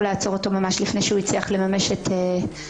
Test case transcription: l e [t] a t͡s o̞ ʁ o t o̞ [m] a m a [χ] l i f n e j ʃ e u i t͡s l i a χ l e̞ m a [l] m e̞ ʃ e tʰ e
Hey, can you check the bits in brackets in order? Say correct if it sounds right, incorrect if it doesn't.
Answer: incorrect: none, correct, incorrect: ʃ, incorrect: none

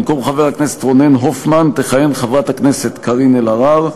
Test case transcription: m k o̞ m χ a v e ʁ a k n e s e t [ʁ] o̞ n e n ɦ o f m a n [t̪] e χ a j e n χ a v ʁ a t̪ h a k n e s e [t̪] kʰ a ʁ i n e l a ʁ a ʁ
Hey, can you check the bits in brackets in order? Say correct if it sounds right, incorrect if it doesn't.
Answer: correct, correct, correct

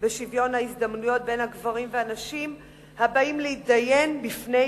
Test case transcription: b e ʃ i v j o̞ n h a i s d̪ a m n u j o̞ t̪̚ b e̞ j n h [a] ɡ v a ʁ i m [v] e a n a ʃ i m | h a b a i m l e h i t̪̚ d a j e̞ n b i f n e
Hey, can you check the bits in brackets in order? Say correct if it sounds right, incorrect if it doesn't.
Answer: correct, correct

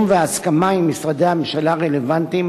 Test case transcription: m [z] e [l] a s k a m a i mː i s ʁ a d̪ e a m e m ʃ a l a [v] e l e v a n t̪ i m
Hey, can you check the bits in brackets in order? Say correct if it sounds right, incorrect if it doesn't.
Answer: incorrect: v, incorrect: none, incorrect: ʁ

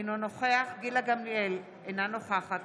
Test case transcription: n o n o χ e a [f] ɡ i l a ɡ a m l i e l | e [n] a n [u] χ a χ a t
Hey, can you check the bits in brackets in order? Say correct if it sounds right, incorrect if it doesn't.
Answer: incorrect: χ, correct, incorrect: o

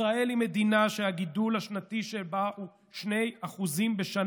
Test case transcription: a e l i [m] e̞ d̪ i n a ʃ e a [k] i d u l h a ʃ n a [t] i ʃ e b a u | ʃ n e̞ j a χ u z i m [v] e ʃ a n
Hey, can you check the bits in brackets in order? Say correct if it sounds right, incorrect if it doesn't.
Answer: correct, incorrect: ɡ, correct, incorrect: b

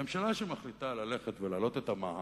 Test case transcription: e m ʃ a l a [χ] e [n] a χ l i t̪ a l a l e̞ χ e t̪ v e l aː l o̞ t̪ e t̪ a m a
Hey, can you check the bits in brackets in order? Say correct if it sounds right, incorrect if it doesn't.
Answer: incorrect: ʃ, incorrect: m

